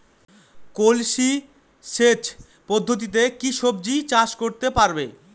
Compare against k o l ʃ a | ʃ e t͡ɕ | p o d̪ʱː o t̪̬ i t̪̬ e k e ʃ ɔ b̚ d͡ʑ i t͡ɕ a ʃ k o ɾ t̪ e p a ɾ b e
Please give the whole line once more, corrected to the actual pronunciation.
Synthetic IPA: k o l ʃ i | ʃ e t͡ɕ | p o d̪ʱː o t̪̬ i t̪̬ e k i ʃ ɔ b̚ d͡ʑ i t͡ɕ a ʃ k o ɾ t̪ e p a ɾ b e